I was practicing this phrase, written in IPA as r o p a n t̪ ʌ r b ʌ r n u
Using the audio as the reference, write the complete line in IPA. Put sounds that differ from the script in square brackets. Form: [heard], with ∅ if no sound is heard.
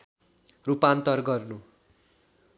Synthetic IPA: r [u] p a n t̪ ʌ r [ɡ] ʌ r n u